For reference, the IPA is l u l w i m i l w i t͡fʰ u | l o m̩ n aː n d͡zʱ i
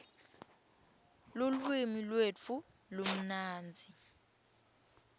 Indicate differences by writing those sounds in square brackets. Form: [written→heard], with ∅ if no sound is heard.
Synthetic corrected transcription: l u l w i m i l w [i→e] t͡fʰ u | l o m̩ n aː n d͡zʱ i